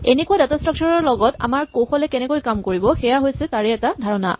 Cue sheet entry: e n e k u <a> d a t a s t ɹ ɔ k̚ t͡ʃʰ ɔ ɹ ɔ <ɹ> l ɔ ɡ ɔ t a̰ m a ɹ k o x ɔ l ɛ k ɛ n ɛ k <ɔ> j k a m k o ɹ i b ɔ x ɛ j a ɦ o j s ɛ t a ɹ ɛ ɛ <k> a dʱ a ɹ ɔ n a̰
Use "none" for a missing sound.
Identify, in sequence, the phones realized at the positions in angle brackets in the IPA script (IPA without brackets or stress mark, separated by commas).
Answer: a, ɹ, o, t